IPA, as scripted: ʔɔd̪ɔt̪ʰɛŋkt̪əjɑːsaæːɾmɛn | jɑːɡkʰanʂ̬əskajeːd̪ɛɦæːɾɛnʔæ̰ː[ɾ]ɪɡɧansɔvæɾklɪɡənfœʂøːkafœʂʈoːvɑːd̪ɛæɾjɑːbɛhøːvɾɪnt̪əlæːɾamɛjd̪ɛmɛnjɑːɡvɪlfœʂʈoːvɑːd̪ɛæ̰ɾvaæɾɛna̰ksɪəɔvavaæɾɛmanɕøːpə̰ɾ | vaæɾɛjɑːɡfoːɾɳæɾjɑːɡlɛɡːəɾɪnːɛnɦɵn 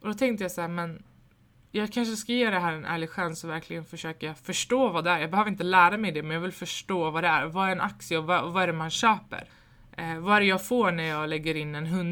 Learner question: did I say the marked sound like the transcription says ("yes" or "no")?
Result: no